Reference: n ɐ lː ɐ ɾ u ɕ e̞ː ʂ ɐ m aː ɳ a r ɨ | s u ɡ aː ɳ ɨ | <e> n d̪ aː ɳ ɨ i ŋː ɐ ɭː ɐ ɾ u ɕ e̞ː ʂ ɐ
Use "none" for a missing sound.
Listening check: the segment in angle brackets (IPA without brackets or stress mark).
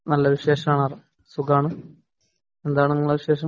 e